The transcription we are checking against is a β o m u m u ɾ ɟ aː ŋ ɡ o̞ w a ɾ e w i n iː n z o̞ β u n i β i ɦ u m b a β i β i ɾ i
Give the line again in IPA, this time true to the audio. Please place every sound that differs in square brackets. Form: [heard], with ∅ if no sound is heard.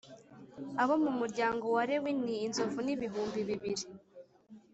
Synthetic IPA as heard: a β o m u m u ɾ ɟ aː ŋ ɡ o̞ w a ɾ e w i n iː n z o̞ [v] u n i β i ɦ [uː] m b [i] β i β i ɾ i